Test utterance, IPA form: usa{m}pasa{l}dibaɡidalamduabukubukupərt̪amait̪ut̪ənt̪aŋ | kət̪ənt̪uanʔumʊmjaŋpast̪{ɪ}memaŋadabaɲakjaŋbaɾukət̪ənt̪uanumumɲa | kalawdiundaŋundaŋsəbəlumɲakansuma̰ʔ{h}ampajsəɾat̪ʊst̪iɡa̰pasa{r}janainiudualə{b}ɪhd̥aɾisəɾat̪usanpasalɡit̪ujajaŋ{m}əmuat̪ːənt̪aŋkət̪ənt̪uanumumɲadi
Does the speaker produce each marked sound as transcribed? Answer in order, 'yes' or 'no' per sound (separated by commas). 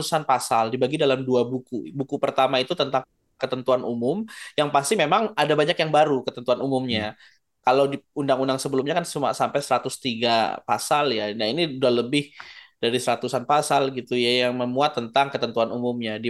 no, yes, no, no, no, yes, yes